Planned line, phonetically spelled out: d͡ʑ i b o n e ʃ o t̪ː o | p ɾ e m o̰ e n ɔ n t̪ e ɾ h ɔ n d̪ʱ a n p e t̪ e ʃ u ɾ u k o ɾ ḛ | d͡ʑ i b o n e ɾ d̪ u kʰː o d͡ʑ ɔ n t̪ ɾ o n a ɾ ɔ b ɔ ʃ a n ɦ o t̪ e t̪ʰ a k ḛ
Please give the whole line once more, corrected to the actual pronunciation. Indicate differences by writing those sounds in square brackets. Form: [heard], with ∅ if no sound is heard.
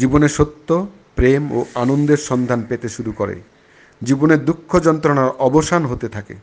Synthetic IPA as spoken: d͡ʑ i b o n e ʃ o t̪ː o | p ɾ e m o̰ [a] n [o] n [d̪] e ɾ [ʃ] ɔ n d̪ʱ a n p e t̪ e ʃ u ɾ u k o ɾ ḛ | d͡ʑ i b o n e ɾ d̪ u kʰː o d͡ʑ ɔ n t̪ ɾ o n a ɾ ɔ b [o] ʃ a n ɦ o t̪ e t̪ʰ a k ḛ